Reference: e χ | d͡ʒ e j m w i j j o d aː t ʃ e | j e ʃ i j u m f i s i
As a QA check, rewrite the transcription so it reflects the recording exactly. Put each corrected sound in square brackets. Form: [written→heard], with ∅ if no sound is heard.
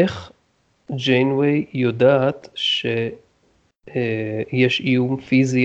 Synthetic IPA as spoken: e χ | d͡ʒ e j [m→n] w [i→e] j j o d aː t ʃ e | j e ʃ i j u m f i [s→z] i